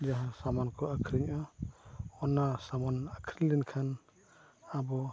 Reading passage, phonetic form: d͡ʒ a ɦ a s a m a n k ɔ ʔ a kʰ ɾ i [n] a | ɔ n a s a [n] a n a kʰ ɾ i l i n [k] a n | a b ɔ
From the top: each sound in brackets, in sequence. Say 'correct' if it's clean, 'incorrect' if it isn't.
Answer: incorrect, incorrect, incorrect

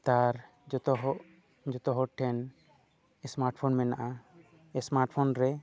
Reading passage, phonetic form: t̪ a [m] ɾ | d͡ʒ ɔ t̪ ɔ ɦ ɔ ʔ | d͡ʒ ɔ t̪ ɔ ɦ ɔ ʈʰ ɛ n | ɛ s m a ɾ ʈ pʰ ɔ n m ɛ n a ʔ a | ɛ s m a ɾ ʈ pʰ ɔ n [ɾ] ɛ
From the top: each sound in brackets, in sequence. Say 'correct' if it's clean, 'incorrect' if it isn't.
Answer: incorrect, correct

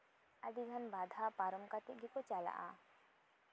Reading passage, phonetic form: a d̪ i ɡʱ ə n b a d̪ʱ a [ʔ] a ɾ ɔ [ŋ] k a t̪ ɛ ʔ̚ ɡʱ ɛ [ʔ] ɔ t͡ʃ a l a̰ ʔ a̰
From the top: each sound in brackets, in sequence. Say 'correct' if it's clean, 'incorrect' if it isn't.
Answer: incorrect, incorrect, incorrect

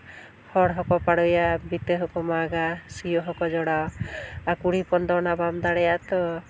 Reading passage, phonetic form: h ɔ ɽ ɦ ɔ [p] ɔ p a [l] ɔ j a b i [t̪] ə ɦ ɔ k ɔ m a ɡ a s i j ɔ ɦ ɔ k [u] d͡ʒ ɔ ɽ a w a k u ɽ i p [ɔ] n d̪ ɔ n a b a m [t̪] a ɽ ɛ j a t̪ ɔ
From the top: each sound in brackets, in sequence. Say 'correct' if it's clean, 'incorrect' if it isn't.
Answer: incorrect, incorrect, correct, incorrect, correct, incorrect

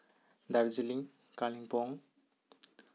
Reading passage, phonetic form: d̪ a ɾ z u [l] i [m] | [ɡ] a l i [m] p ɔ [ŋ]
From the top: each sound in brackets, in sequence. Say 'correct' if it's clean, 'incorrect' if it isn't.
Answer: correct, incorrect, incorrect, incorrect, correct

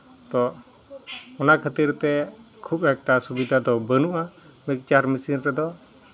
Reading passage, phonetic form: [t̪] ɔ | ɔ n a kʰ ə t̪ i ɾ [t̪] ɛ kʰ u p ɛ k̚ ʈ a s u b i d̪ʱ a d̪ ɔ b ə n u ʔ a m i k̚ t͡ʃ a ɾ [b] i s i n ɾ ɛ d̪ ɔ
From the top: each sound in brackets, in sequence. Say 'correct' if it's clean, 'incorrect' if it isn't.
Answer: correct, correct, incorrect

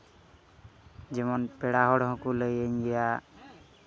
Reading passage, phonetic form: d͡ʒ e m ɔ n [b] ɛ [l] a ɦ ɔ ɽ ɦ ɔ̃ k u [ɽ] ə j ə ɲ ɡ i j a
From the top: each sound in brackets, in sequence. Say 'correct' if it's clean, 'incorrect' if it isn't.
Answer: incorrect, incorrect, incorrect

